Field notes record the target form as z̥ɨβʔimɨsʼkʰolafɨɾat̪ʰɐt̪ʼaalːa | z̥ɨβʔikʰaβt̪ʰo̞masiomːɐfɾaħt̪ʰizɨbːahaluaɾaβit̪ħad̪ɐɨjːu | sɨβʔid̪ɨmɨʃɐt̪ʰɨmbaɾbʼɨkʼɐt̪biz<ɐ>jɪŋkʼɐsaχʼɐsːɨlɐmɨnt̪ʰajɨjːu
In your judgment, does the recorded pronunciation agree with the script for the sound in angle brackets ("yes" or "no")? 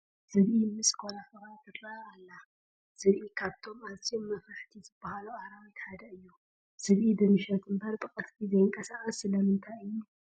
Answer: yes